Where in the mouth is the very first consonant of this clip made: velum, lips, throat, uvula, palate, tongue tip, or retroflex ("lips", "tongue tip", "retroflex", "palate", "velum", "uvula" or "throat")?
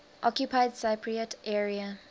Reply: throat